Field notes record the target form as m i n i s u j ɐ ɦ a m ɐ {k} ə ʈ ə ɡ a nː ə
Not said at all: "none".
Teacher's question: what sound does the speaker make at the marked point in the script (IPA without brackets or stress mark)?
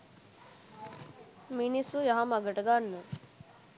ɡ